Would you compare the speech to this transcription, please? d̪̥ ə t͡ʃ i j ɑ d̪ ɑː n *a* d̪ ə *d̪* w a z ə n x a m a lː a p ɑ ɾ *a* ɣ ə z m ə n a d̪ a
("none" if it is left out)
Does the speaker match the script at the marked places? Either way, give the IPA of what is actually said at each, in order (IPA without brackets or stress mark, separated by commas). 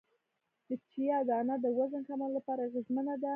a, none, a